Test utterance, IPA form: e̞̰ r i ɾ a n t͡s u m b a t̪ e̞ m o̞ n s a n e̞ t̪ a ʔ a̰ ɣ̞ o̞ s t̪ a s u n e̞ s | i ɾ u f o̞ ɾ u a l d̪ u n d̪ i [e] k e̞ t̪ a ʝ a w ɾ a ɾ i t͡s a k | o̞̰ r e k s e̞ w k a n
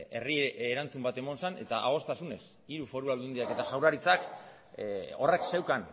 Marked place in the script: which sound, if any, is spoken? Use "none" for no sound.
a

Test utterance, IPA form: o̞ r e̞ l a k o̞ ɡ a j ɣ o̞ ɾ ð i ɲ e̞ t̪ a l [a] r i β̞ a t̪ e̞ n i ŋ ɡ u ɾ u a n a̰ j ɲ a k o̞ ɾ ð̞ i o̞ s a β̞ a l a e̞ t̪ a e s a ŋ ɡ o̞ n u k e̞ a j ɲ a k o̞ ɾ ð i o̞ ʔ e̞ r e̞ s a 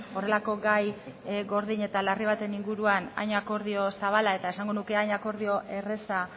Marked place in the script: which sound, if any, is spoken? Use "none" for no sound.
a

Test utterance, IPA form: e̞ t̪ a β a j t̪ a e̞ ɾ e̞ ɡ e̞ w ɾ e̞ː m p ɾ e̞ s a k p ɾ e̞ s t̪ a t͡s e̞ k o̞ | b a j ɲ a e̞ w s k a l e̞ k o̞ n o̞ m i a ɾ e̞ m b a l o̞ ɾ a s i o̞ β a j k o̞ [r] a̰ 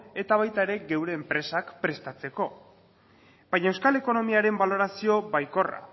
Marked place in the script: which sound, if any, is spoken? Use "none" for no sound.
r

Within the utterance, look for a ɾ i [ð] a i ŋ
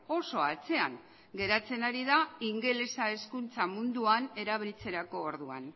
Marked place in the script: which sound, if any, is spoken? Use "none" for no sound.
ð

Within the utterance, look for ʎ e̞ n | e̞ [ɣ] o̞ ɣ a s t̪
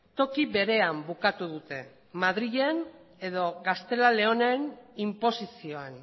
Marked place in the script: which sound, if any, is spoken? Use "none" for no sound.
ð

